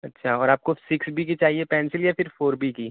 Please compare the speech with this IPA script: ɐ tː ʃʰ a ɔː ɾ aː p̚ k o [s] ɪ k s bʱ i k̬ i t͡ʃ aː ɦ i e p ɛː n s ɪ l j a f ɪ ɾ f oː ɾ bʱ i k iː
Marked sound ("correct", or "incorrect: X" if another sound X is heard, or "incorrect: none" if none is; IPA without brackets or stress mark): correct